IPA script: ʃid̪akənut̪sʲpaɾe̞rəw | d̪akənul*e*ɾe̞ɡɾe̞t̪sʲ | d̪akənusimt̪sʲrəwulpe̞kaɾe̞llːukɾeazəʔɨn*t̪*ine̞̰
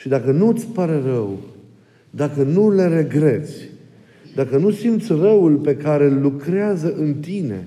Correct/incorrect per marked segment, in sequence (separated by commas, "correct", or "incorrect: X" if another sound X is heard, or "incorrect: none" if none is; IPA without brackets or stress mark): correct, correct